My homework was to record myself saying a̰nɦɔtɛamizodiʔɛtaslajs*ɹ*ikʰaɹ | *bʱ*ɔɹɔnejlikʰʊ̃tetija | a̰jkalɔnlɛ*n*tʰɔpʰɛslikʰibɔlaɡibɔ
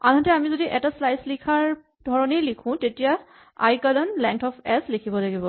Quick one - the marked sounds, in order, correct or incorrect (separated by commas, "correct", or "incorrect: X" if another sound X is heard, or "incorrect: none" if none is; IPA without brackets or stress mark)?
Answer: incorrect: l, incorrect: dʱ, incorrect: ŋ